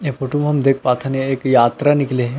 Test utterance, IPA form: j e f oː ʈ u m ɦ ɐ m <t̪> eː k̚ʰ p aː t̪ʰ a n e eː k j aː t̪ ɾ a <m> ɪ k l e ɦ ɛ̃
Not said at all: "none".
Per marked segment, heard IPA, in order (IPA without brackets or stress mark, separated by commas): d̪, n